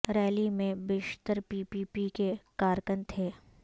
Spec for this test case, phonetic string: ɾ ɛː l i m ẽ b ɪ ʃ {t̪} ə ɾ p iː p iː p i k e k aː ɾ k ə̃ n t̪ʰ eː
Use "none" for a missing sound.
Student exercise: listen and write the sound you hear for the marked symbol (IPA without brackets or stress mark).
t̪